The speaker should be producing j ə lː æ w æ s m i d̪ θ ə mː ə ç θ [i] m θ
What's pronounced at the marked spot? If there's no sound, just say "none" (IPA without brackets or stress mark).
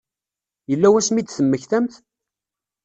æ